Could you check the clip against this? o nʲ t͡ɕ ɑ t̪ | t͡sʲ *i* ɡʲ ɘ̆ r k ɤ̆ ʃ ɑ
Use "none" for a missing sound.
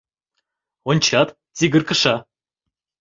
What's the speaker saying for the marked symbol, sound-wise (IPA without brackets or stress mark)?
i